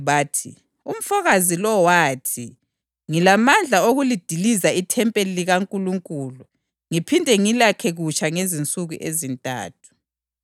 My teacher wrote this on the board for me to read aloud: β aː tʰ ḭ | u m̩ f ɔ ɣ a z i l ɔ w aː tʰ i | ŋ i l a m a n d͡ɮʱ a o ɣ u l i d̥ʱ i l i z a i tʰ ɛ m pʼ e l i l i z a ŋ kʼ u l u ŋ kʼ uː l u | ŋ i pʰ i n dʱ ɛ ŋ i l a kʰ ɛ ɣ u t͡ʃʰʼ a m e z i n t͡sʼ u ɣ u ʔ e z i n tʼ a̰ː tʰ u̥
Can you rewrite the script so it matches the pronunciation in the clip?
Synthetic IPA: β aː tʰ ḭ | u m̩ f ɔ ɣ a z i l ɔ w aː tʰ i | ŋ i l a m a n d͡ɮʱ a o ɣ u l i d̥ʱ i l i z a i tʰ ɛ m pʼ e l i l i ɣ a ŋ kʼ u l u ŋ kʼ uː l u | ŋ i pʰ i n dʱ ɛ ŋ i l a kʰ ɛ ɣ u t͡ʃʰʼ a ŋ e z i n t͡sʼ u ɣ u ʔ e z i n tʼ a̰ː tʰ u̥